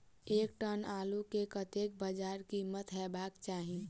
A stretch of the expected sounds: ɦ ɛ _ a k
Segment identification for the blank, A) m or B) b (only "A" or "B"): B